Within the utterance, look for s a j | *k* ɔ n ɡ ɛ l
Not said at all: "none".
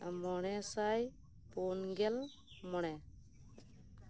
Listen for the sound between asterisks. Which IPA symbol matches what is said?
p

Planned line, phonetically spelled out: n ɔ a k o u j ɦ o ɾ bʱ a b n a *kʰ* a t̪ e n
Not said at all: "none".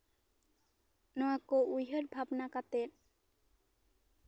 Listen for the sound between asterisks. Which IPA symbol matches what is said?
k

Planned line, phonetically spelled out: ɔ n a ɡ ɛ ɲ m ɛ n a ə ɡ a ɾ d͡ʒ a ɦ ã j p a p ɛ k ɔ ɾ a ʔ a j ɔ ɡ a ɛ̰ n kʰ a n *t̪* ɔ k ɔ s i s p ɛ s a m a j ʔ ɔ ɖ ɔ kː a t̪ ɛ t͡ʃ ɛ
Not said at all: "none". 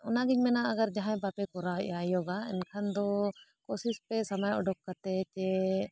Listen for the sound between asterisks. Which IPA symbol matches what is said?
d̪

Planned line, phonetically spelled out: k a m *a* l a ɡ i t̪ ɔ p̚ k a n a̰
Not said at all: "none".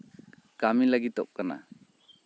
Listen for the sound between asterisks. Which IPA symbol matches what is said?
i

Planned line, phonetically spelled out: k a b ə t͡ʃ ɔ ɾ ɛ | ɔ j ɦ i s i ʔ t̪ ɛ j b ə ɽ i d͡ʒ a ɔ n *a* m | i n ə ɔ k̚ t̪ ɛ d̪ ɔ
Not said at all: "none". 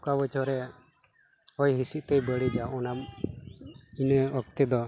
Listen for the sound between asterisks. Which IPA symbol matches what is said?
a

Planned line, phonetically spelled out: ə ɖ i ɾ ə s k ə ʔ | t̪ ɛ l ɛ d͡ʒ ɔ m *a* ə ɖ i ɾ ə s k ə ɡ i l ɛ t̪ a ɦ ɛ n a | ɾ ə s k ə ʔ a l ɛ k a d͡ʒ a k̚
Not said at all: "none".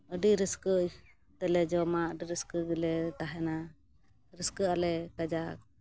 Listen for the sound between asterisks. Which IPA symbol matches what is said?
a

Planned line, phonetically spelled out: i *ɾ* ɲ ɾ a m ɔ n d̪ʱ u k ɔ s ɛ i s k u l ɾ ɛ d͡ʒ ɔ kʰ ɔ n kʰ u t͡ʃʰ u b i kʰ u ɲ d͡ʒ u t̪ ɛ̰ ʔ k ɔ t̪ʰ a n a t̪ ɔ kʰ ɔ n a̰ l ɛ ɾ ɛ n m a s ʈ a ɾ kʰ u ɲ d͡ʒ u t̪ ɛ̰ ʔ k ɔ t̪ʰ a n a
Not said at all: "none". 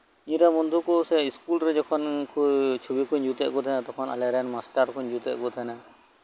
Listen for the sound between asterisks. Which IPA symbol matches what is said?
none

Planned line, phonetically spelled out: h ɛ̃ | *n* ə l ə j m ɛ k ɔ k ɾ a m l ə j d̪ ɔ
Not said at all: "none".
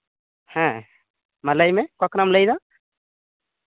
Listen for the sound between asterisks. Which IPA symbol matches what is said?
m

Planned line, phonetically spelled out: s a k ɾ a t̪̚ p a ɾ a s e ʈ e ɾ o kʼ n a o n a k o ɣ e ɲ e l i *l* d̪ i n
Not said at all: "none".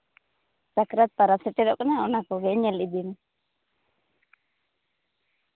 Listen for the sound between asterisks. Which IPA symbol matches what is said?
none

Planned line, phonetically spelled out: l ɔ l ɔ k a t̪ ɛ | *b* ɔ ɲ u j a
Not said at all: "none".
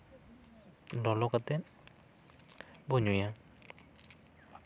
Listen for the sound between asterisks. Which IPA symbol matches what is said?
b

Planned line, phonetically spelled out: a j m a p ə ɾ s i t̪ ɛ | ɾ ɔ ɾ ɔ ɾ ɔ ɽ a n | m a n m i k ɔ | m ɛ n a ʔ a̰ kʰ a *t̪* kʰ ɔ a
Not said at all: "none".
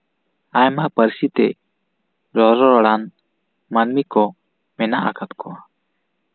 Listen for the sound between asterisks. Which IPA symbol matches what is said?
t̪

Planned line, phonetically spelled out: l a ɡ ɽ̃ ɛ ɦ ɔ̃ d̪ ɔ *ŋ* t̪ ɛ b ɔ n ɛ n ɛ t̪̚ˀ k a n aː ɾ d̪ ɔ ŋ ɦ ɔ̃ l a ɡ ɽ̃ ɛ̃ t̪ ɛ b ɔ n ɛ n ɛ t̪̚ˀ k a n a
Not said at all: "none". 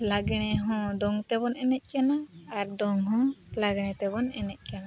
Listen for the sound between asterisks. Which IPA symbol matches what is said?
ŋ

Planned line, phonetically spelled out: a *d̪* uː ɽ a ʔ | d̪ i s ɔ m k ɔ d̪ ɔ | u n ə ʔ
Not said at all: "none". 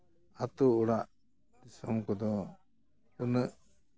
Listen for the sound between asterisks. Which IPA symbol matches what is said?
t̪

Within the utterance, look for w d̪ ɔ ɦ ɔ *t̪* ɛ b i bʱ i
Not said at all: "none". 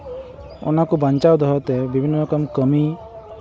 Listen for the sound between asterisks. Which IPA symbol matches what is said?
t̪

